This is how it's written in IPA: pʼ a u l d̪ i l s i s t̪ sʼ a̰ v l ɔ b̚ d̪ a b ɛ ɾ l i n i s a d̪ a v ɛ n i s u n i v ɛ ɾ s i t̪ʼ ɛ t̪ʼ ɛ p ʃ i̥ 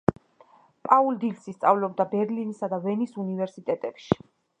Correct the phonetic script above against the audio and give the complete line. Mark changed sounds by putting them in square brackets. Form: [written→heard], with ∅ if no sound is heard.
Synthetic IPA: pʼ a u l d̪ i l s i s t̪ sʼ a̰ v l ɔ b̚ d̪ a b ɛ ɾ l i n i s a d̪ a v ɛ n i s u n i v ɛ ɾ s i t̪ʼ ɛ t̪ʼ ɛ p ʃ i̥